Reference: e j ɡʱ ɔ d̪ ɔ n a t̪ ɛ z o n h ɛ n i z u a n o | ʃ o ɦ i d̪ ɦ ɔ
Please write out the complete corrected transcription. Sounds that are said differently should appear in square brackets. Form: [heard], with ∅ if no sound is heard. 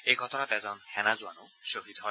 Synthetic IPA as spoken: e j ɡʱ ɔ [t̪] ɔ n a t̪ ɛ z [ɔ] n h ɛ n [a] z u a n o | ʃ o ɦ i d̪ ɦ ɔ

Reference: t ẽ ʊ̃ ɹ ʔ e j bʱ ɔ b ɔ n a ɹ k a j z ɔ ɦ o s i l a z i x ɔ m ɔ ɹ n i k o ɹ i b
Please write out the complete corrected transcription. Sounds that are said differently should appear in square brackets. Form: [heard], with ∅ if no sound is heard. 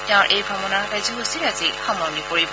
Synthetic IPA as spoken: t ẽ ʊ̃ ɹ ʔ e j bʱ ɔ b ɔ n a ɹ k a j z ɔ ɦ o s i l a z i x ɔ m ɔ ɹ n i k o ɹ i b

